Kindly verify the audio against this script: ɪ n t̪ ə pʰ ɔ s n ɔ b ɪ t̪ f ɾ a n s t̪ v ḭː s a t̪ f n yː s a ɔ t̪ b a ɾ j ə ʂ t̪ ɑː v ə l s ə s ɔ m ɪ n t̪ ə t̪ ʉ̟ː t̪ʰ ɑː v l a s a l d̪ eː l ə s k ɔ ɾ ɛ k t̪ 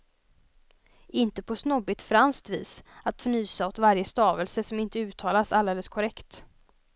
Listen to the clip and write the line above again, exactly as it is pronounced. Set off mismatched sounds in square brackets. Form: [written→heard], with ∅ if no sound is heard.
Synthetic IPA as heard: ɪ n t̪ ə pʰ ɔ s n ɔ b ɪ t̪ f ɾ a n s t̪ v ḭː s a t̪ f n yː s a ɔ t̪ [b→v] a ɾ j ə [ʂ→s] t̪ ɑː v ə l s ə s ɔ m ɪ n t̪ ə [t̪→∅] ʉ̟ː t̪ʰ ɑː [v→∅] l a s a l d̪ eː l ə s [k→kʰ] ɔ ɾ ɛ k t̪